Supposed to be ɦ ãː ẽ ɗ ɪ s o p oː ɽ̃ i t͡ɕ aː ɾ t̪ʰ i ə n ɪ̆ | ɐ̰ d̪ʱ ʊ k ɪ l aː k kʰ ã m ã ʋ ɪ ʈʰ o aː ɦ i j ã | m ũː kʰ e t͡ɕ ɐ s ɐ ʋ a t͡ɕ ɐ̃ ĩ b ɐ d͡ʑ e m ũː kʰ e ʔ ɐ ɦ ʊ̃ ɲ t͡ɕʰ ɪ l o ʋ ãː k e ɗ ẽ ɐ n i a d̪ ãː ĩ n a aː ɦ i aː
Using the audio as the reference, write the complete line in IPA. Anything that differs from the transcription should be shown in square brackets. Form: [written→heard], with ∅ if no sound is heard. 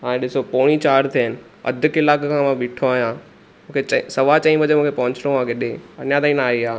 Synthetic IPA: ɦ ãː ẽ ɗ ɪ s o p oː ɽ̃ i t͡ɕ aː ɾ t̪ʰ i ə n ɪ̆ | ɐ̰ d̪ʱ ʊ k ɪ l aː k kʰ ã m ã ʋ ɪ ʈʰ o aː ɦ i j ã | m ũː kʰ e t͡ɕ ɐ s ɐ ʋ a t͡ɕ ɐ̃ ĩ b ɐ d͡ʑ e m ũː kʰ e [ʔ→p] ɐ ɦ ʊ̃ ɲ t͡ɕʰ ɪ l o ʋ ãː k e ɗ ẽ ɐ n [i→j] a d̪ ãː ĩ n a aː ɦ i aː